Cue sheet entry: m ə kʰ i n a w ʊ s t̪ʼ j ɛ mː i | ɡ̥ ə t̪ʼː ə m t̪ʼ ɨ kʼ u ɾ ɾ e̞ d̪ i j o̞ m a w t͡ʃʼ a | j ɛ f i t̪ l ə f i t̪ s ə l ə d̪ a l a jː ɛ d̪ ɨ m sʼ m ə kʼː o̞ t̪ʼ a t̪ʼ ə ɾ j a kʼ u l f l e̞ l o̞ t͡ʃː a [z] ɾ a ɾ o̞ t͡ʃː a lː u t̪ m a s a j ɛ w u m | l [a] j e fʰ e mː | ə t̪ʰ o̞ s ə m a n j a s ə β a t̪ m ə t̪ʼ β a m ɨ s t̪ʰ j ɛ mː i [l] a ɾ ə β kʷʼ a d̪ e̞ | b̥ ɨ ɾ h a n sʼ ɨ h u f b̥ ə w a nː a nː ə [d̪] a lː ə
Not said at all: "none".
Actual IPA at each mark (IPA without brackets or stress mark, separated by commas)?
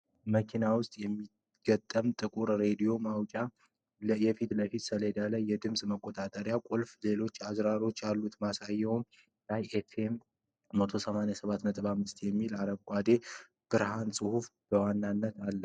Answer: z, a, l, t̪